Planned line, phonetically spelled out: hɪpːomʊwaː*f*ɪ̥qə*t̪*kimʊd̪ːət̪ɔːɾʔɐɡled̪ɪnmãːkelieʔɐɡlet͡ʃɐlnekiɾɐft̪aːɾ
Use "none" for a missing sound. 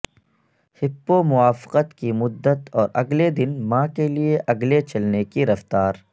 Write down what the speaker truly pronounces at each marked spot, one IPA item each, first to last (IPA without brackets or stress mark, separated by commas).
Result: f, t̪